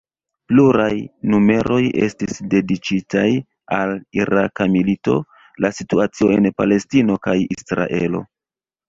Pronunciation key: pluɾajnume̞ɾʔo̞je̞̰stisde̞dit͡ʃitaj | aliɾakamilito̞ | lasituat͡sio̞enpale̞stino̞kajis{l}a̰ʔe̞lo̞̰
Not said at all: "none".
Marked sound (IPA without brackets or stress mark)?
ɾ